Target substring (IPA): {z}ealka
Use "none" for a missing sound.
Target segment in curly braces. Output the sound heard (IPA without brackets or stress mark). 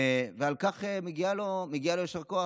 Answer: v